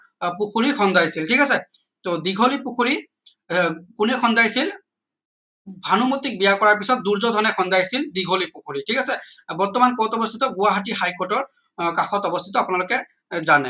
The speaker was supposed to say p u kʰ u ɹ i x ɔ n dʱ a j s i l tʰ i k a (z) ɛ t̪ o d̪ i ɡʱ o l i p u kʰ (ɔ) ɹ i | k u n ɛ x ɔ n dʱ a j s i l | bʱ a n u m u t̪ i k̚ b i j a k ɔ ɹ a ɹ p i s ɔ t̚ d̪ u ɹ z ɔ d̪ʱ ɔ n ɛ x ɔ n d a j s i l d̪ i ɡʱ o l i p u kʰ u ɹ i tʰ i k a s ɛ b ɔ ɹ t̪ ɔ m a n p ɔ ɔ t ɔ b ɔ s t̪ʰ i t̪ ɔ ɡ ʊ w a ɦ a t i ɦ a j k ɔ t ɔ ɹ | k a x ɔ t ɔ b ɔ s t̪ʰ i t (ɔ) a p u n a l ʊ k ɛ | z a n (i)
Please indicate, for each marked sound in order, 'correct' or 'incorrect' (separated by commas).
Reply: incorrect, incorrect, correct, incorrect